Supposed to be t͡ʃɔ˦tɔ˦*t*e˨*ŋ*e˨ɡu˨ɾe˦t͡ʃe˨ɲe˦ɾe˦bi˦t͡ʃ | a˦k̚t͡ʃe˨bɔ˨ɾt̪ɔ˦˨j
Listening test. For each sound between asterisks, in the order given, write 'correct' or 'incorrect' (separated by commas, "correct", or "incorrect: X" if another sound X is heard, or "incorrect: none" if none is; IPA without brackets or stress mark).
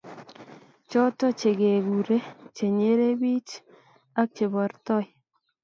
incorrect: t͡ʃ, incorrect: ɡ